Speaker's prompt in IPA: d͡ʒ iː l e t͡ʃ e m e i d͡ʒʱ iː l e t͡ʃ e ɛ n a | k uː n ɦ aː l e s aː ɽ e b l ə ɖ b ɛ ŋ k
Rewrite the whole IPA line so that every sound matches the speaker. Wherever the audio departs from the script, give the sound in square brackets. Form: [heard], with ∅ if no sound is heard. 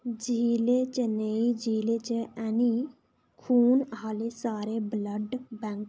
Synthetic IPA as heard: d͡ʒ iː l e t͡ʃ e [n] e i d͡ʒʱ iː l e t͡ʃ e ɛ n [i] | [kʰ] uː n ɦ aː l e s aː [ɾ] e b l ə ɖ b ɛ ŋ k

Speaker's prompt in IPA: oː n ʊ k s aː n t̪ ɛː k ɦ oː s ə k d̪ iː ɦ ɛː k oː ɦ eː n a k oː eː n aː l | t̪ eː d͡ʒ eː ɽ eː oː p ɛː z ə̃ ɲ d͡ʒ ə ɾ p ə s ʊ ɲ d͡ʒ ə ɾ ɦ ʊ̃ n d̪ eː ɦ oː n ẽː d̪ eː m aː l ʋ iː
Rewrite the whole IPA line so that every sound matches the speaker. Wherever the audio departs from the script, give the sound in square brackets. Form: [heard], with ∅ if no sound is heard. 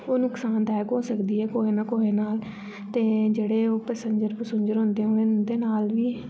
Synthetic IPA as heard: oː n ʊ k s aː n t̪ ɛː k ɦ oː s ə k d̪ iː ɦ ɛː k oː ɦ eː n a k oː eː n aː l | t̪ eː d͡ʒ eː ɽ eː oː p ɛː [s] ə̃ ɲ d͡ʒ ə ɾ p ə s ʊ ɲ d͡ʒ ə ɾ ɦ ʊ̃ n d̪ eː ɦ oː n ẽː d̪ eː [n] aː l ʋ iː

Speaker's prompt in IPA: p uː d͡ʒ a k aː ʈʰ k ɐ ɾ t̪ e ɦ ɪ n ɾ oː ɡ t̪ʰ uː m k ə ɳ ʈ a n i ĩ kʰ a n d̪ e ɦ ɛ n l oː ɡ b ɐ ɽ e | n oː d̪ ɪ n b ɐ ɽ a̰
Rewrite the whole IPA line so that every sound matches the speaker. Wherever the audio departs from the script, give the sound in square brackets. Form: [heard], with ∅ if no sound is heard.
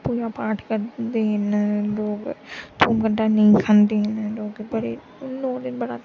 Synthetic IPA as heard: p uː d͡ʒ a [p] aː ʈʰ k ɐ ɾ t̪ e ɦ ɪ n [l] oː ɡ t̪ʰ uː m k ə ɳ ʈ a n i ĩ kʰ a n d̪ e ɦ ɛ n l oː ɡ b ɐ ɽ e | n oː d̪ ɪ n b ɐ ɽ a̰

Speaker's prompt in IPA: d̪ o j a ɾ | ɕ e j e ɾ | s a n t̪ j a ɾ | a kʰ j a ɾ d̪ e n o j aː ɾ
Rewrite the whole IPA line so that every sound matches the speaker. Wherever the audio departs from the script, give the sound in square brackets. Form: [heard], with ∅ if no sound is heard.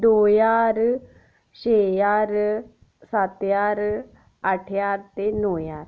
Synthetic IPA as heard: d̪ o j a ɾ | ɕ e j [a] ɾ | s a [∅] t̪ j a ɾ | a [ʈʰ] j a ɾ [t̪] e n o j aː ɾ

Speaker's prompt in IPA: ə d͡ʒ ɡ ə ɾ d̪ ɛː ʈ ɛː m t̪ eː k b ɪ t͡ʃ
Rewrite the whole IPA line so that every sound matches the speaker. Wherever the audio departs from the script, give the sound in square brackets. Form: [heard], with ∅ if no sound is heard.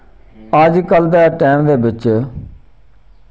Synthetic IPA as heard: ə d͡ʒ [k] ə [l] d̪ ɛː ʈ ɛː m [d̪] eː [∅] b ɪ t͡ʃ

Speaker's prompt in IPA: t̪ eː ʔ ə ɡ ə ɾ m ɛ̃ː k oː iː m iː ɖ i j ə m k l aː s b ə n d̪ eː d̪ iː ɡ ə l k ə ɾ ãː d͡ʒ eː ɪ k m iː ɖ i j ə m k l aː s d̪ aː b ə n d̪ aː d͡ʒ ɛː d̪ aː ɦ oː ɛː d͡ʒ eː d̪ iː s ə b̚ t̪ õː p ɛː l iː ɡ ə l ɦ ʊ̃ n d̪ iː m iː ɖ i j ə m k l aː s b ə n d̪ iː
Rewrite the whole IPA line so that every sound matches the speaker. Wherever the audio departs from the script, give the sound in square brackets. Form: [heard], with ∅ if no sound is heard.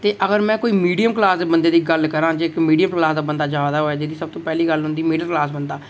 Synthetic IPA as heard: t̪ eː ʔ ə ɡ ə ɾ m ɛ̃ː k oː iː m iː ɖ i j ə m k l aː s b ə n d̪ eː d̪ iː ɡ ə l k ə ɾ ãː d͡ʒ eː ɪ k m iː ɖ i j ə m k l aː s d̪ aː b ə n d̪ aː d͡ʒ [aː] d̪ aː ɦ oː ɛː d͡ʒ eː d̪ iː s ə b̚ t̪ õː p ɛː l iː ɡ ə l ɦ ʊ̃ n d̪ iː m iː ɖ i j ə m k l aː s b ə n d̪ [aː]

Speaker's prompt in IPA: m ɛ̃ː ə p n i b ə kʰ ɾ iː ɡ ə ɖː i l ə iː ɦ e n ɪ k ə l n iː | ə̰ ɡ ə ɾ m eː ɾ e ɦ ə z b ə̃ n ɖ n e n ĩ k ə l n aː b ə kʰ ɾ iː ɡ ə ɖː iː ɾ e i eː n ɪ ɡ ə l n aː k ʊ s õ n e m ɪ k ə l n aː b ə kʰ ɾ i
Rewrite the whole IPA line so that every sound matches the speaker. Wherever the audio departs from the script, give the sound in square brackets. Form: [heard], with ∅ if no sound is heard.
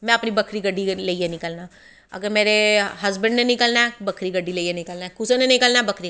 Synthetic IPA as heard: m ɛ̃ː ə p n i b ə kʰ ɾ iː ɡ ə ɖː i l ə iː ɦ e n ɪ k ə l n [aː] | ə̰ ɡ ə ɾ m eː ɾ e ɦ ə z b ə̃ [ɳ] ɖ n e n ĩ k ə l n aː b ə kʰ ɾ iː ɡ ə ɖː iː [l] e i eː n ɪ [k] ə l n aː k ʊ s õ n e [n] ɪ k ə l n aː b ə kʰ ɾ i

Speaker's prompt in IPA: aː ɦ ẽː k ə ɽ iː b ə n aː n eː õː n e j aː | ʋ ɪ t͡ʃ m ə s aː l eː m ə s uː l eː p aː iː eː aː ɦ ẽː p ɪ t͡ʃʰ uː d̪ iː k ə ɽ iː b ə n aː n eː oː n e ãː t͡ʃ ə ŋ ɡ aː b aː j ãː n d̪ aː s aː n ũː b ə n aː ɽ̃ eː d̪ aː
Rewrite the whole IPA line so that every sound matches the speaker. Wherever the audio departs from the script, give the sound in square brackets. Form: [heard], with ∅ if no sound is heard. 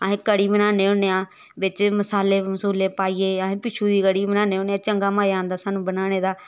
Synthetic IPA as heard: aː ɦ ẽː k ə ɽ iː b ə n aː n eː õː n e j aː | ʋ ɪ t͡ʃ m ə s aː l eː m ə s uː l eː p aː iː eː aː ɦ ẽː p ɪ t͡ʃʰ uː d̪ iː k ə ɽ iː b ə n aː n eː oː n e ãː t͡ʃ ə ŋ ɡ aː [m] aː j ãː n d̪ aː s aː n ũː b ə n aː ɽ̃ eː d̪ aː

